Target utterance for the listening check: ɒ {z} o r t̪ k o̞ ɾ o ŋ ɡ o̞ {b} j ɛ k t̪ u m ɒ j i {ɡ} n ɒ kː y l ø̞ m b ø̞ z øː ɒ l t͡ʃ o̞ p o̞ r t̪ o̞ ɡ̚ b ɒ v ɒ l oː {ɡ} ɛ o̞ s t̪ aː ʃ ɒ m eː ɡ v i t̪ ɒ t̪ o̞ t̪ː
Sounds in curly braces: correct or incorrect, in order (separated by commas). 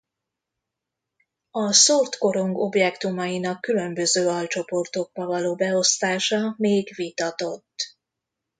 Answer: incorrect, correct, incorrect, incorrect